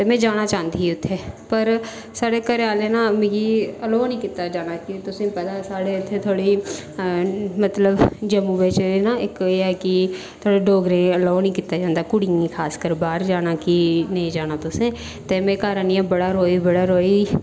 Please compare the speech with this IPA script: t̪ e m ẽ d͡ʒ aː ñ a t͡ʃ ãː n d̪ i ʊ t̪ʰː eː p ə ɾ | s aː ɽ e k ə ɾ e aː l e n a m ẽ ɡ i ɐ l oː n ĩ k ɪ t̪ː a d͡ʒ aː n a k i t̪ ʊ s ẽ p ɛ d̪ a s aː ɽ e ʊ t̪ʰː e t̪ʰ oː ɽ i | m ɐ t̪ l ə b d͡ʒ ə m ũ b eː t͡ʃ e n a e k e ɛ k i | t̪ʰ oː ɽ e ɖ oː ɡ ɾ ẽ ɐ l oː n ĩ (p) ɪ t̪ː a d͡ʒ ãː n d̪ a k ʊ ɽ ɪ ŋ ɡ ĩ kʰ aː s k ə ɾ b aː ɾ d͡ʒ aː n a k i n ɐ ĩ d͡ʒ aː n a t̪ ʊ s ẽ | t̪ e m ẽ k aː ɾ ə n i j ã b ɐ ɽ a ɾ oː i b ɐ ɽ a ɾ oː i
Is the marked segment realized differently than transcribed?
yes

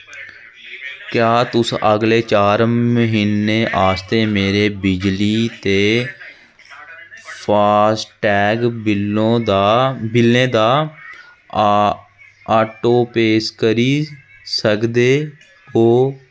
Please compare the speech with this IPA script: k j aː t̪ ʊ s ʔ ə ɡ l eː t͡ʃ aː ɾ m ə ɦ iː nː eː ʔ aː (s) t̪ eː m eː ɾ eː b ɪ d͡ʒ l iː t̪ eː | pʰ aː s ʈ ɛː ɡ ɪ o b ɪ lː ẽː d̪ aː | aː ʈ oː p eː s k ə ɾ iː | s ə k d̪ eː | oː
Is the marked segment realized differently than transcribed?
no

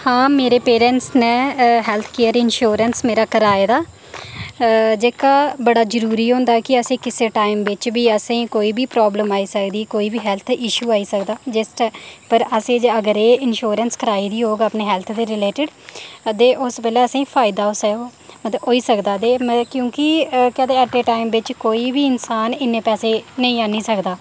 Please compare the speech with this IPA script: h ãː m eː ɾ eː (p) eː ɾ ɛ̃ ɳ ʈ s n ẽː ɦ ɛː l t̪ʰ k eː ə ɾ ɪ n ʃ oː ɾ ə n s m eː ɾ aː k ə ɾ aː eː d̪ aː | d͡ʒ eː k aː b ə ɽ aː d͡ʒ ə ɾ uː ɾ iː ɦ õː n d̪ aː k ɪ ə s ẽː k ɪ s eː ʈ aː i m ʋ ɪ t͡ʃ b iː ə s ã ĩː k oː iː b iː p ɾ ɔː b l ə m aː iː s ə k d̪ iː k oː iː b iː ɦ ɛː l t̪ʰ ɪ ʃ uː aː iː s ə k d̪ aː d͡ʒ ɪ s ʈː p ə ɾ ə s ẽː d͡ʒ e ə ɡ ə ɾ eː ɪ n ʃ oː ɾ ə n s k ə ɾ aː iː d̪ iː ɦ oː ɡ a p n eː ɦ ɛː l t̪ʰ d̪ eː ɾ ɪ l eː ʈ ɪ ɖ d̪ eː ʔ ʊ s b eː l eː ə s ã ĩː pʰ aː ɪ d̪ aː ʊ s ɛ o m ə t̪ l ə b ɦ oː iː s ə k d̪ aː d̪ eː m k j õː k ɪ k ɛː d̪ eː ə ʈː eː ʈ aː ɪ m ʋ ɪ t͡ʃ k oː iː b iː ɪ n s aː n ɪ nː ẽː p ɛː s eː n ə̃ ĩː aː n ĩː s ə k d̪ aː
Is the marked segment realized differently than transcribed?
no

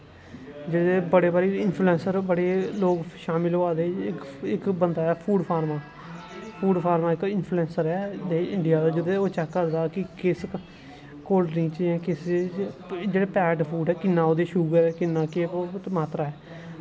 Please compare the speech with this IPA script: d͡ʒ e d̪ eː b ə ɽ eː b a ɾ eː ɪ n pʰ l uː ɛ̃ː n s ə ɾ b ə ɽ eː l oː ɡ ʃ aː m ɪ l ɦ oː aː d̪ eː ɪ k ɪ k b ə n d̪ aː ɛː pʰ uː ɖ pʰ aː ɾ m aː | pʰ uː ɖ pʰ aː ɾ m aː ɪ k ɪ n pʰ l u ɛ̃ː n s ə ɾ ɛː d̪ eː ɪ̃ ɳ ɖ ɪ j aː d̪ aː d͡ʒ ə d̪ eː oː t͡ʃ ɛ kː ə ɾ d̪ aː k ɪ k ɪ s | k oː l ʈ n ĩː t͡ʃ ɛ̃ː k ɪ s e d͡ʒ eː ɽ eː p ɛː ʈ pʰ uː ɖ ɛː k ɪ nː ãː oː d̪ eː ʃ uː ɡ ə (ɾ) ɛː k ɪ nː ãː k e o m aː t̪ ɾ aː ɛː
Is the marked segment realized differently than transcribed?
no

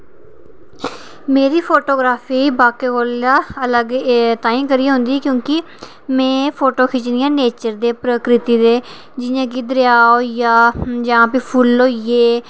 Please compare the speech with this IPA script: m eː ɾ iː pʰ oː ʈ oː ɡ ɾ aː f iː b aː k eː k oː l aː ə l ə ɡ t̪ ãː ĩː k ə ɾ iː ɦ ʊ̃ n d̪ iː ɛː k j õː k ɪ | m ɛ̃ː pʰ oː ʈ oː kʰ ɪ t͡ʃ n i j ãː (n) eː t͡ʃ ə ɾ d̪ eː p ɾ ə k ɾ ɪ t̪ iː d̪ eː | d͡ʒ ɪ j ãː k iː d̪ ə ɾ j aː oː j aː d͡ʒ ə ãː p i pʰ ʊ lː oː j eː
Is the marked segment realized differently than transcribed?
no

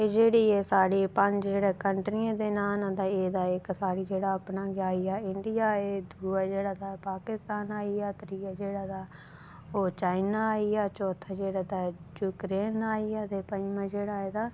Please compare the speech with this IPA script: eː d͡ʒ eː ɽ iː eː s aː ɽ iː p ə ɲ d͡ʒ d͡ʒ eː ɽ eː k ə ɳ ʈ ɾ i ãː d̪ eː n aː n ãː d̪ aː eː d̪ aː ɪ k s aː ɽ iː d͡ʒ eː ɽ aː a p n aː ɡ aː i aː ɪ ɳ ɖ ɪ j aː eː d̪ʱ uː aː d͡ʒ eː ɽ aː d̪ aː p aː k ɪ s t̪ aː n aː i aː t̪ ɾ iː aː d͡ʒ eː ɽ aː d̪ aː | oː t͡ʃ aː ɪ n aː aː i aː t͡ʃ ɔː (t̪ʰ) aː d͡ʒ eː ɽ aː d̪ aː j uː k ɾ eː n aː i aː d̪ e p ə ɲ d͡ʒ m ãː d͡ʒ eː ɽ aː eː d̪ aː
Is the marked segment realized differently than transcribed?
no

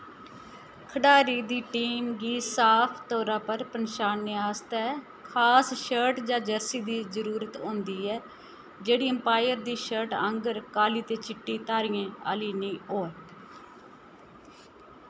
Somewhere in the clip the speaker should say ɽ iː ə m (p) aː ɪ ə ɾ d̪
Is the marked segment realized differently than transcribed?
no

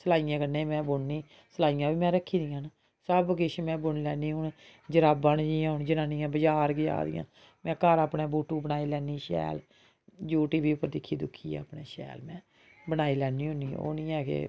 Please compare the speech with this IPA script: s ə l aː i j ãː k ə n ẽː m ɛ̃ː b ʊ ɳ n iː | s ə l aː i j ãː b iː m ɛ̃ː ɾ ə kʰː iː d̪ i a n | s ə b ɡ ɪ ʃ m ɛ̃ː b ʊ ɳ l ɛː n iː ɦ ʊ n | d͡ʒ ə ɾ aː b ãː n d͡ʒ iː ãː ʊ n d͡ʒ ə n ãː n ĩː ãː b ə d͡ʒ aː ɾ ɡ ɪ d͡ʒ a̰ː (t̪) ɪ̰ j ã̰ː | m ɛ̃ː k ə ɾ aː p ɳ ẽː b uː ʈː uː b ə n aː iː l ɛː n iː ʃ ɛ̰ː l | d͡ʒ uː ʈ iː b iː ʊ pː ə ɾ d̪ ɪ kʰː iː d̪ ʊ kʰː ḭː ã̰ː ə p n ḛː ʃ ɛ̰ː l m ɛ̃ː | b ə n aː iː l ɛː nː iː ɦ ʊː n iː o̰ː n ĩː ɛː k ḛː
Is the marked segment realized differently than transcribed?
yes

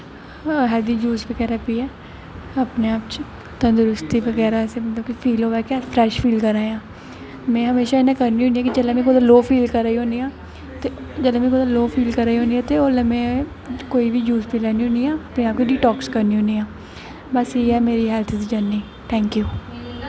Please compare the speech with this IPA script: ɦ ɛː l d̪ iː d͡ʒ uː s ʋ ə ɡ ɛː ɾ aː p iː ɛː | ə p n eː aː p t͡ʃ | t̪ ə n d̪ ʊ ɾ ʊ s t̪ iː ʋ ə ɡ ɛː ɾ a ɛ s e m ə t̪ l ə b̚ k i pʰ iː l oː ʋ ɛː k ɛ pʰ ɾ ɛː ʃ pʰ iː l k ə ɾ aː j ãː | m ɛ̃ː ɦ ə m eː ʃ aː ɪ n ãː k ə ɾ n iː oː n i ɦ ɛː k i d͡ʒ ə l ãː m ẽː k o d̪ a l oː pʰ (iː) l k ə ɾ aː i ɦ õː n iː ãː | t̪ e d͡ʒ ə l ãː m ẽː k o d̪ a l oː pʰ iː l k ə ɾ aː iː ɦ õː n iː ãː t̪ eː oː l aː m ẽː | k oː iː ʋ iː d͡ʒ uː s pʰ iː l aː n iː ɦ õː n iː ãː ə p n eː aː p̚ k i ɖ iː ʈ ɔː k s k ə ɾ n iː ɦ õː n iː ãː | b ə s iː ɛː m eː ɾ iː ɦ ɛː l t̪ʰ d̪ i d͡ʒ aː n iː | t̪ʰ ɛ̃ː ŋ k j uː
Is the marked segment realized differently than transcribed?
no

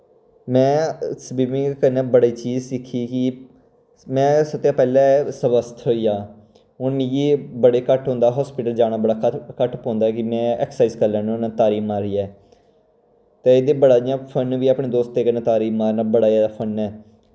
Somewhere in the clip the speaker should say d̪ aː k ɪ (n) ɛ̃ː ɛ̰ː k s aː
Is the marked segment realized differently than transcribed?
yes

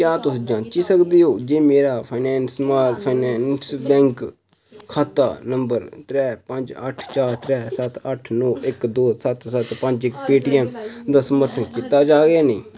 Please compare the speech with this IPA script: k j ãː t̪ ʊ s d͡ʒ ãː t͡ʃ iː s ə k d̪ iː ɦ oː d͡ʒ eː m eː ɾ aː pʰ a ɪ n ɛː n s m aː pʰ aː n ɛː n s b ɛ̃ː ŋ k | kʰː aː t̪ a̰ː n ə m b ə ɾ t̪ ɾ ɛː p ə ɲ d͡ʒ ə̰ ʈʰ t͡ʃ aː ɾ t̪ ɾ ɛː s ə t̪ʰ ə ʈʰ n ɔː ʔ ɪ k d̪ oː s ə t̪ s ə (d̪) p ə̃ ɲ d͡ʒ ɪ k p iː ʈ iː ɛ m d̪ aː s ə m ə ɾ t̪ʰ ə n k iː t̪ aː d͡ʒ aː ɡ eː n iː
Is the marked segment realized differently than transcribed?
yes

